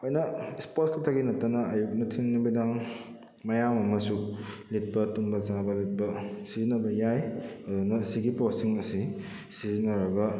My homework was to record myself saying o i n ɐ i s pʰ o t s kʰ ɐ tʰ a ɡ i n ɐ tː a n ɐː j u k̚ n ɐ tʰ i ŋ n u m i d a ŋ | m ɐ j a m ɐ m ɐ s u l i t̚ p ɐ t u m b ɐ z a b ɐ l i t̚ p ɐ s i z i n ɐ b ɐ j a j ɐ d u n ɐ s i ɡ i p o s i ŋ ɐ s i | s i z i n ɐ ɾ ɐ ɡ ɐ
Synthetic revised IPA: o j n ɐ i s p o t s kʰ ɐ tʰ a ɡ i n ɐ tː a n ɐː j u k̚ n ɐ tʰ i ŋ n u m i d a ŋ | m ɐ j a m ɐ m ɐ s u l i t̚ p ɐ t u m b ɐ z a b ɐ l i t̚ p ɐ s i z i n ɐ b ɐ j a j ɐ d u n ɐ s i ɡ i p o s i ŋ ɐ s i | s i z i n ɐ ɾ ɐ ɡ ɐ